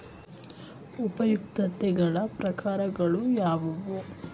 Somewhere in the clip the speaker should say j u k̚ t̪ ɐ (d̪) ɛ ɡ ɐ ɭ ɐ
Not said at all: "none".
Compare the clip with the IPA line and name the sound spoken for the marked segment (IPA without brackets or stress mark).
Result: t̪